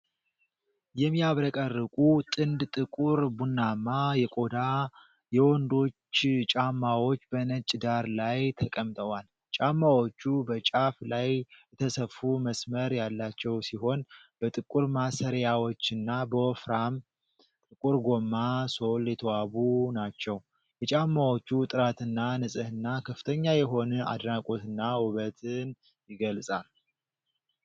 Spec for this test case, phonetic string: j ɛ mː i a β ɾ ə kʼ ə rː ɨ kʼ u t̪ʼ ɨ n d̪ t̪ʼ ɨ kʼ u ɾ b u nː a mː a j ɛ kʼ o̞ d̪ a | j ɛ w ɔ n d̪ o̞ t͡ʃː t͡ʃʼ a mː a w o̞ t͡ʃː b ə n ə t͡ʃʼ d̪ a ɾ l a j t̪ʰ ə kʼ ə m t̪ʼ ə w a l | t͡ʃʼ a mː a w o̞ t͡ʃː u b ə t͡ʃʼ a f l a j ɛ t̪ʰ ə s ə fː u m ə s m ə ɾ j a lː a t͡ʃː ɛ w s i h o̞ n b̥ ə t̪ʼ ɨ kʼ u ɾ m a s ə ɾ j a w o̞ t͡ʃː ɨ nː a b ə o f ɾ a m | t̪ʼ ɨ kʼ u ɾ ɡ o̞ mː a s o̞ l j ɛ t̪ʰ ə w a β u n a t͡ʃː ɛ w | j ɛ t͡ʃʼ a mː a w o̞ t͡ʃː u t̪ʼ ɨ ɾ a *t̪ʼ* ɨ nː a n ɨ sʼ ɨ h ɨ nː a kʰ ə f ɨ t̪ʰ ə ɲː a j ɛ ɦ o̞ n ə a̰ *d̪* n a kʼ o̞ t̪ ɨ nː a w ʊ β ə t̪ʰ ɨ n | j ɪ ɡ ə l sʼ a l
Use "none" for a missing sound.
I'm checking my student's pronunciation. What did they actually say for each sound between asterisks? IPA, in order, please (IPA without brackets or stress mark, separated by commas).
t̪, d̪